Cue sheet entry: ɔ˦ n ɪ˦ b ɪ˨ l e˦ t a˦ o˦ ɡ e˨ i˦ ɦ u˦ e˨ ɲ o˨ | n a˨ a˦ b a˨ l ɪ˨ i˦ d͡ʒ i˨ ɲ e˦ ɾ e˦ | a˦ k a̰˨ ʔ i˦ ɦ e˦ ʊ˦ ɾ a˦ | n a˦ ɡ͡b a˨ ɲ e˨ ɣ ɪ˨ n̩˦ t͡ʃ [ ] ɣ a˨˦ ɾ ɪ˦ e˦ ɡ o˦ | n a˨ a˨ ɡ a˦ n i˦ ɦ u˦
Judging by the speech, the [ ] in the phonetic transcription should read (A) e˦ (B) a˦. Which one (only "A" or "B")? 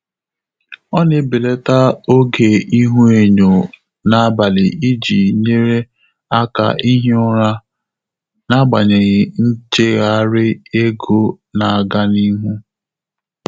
A